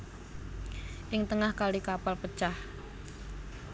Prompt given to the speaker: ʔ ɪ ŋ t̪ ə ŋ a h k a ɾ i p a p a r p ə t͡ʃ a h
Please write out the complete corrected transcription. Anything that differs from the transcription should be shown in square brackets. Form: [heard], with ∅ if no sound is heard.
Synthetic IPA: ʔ ɪ ŋ t̪ ə ŋ a h k a [l] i [k] a p a [l] p ə t͡ʃ a h